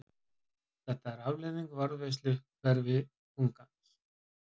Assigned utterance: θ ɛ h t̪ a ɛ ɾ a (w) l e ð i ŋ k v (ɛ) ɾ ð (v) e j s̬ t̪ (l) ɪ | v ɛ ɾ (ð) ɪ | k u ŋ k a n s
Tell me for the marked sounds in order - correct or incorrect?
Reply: incorrect, incorrect, correct, correct, incorrect

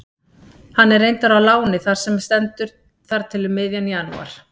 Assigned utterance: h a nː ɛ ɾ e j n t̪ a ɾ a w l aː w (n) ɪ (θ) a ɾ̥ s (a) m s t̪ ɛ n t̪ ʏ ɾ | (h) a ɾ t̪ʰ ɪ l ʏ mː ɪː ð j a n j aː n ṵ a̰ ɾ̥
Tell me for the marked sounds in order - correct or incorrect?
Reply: correct, correct, incorrect, incorrect

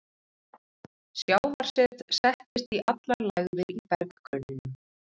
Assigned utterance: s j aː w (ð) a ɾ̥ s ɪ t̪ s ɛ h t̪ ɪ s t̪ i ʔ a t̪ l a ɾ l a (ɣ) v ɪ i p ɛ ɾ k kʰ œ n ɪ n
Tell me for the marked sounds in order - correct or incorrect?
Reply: incorrect, correct

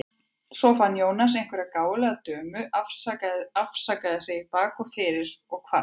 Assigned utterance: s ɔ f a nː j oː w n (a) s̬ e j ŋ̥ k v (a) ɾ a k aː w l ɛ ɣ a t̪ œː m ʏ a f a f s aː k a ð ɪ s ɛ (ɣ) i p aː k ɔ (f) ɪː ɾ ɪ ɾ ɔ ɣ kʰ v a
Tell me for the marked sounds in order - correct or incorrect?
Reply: correct, incorrect, correct, correct

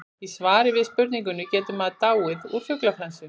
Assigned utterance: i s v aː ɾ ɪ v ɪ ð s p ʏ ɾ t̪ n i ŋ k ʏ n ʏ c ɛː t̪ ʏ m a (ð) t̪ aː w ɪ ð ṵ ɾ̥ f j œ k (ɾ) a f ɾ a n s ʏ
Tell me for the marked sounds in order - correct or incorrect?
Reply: correct, incorrect

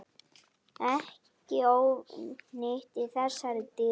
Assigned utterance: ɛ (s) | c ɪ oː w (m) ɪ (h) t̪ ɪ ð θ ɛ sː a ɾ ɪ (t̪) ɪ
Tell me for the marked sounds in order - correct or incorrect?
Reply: incorrect, incorrect, correct, correct

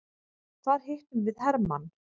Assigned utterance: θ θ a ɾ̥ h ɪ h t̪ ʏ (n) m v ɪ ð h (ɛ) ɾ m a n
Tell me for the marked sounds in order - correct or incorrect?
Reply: incorrect, correct

